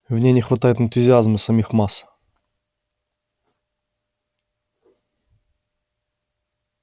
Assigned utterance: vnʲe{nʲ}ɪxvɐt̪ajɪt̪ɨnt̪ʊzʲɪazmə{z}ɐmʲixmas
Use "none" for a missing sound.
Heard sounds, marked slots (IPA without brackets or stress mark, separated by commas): nʲ, s